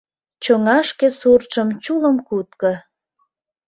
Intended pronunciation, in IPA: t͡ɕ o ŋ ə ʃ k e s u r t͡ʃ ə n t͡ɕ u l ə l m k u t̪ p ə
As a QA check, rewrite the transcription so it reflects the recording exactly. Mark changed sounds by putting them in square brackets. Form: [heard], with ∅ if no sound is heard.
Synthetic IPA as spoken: t͡ɕ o ŋ [ɑ] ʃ k e s u r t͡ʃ ə [m] t͡ɕ u l ə [∅] m k u t̪ [k] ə